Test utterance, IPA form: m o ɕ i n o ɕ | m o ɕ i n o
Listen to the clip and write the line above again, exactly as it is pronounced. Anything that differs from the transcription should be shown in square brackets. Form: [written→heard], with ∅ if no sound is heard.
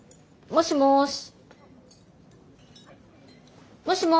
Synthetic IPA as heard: m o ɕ i [n→m] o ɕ | m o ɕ i [n→m] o

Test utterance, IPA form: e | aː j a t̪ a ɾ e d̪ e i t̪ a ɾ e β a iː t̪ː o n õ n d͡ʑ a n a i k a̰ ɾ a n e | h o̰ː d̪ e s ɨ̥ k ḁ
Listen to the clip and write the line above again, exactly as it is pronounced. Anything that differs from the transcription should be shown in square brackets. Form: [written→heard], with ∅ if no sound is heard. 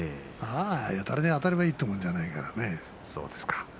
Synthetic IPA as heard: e | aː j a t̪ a ɾ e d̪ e [i→a] t̪ a ɾ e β a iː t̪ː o [n→m] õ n d͡ʑ a n a i k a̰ ɾ a n e | [h→s] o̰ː d̪ e s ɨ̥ k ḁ

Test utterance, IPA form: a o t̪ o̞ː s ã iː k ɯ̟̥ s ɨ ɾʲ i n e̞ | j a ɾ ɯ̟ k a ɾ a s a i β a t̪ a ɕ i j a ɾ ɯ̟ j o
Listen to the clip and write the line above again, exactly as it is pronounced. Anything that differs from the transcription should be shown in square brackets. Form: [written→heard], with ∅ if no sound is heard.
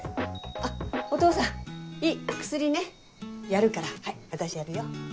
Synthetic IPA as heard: a o t̪ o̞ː s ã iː k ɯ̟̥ s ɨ ɾʲ i n e̞ | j a ɾ ɯ̟ k a ɾ a [s→h] a i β a t̪ a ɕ i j a ɾ ɯ̟ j o

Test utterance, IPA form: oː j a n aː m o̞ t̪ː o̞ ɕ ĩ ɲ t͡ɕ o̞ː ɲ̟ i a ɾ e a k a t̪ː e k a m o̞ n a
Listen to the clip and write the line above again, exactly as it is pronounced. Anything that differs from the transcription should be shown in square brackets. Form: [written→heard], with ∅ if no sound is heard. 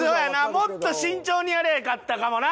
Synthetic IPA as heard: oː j a n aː m o̞ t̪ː o̞ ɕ ĩ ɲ t͡ɕ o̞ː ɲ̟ i a ɾ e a k a t̪ː [e→a] k a m o̞ n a

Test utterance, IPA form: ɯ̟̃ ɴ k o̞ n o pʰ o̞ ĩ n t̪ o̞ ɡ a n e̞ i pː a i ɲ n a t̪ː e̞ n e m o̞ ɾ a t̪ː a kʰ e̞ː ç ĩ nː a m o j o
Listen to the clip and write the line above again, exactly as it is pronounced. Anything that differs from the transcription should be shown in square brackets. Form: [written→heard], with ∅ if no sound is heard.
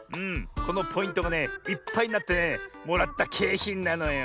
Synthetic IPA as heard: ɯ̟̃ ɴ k o̞ n o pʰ o̞ ĩ n t̪ o̞ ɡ a n e̞ i pː a i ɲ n a t̪ː e̞ n e m o̞ ɾ a t̪ː a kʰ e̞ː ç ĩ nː a [m→n] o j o

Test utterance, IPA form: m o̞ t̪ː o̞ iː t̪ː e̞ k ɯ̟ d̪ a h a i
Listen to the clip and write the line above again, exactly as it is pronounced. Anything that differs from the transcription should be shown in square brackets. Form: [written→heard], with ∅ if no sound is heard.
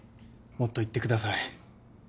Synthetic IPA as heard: m o̞ t̪ː o̞ [iː→i] t̪ː e̞ k ɯ̟ d̪ a [h→s] a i

